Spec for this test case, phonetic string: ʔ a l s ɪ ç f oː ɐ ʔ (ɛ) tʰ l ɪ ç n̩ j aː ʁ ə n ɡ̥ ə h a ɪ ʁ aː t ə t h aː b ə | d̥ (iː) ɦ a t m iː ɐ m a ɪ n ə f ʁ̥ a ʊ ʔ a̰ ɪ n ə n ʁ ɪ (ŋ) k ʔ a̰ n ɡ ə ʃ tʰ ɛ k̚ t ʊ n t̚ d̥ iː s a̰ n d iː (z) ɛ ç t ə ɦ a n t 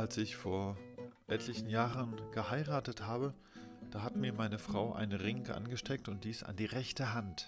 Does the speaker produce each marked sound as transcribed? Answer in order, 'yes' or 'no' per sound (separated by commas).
yes, no, yes, no